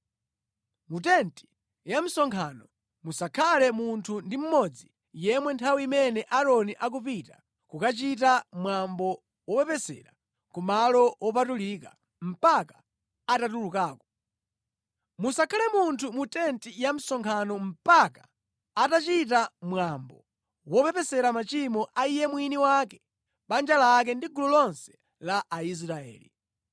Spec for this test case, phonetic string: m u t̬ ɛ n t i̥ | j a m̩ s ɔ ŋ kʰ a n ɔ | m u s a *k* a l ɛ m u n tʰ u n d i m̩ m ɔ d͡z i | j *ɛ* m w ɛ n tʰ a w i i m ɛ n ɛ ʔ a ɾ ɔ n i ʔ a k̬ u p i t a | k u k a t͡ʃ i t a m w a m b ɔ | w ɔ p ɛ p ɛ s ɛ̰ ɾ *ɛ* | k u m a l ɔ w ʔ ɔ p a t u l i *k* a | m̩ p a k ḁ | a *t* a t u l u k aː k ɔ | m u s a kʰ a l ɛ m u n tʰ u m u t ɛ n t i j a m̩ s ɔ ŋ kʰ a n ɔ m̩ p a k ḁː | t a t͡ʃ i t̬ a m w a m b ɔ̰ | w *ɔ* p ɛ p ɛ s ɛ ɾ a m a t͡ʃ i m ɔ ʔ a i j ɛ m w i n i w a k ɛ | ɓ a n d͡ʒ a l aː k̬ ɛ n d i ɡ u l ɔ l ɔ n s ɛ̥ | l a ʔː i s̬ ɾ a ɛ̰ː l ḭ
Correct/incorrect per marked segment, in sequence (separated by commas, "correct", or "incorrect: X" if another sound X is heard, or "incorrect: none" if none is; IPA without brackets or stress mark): incorrect: kʰ, correct, incorrect: a, correct, correct, correct